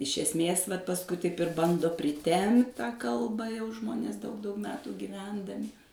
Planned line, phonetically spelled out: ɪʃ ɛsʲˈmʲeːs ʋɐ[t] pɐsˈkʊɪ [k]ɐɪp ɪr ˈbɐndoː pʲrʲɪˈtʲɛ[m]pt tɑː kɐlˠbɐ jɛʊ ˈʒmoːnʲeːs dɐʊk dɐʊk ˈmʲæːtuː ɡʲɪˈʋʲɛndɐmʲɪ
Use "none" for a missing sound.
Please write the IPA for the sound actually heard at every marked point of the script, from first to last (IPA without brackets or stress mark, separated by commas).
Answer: t, t, m